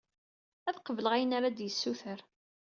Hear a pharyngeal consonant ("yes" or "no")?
no